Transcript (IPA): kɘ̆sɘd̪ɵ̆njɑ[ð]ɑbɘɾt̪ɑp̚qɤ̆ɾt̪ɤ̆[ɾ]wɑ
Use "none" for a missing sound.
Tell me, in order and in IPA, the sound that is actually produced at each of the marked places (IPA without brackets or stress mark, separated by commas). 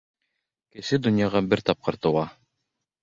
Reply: ʁ, none